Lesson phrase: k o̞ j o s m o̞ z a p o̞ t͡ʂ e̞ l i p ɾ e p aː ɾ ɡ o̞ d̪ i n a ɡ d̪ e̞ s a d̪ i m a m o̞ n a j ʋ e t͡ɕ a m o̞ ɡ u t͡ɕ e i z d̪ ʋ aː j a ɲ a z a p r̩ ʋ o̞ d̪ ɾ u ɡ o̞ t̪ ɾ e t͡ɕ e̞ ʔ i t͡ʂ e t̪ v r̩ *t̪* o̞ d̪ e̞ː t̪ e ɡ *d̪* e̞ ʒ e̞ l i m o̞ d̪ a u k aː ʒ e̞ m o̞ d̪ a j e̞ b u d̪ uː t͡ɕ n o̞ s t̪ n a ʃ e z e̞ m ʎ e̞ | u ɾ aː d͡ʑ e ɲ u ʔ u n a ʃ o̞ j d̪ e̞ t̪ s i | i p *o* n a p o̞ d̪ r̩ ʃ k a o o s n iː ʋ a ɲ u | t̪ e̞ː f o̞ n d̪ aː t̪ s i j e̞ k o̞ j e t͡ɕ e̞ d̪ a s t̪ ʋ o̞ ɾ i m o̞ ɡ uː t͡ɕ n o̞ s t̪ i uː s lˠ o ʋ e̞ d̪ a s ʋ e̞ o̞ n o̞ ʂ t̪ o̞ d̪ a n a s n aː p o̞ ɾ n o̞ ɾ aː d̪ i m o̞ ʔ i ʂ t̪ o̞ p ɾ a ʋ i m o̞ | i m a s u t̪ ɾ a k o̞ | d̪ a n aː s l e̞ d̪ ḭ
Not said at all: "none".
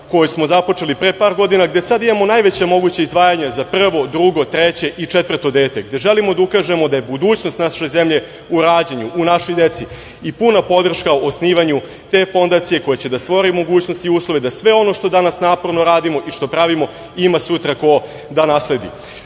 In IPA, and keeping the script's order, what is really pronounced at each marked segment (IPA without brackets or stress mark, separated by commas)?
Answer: t̪, d̪, u